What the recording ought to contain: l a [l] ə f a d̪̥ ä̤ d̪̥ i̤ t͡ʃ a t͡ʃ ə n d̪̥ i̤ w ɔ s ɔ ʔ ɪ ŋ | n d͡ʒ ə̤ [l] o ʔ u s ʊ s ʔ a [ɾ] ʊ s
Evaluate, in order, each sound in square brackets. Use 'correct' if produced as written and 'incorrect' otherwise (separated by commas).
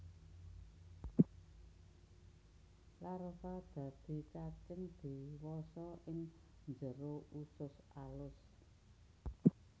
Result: incorrect, incorrect, incorrect